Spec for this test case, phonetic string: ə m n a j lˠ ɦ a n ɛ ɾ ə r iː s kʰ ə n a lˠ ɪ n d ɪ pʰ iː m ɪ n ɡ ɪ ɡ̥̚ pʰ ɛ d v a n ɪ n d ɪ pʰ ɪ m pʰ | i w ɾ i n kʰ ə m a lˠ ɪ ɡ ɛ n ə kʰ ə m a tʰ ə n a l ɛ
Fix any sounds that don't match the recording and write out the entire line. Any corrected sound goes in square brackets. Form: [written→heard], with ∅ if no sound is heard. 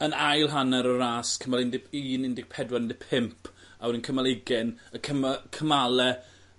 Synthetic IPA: ə [m→∅] n a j lˠ ɦ a n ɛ ɾ ə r [iː→aː] s kʰ ə [n→m] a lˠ ɪ n d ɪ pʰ iː [m→n] ɪ n [ɡ→d] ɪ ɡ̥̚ pʰ ɛ d [v→w] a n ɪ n d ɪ pʰ ɪ m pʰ | [i→a] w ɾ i n kʰ ə m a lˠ ɪ ɡ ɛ n ə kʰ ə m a [tʰ→kʰ] ə [n→m] a l ɛ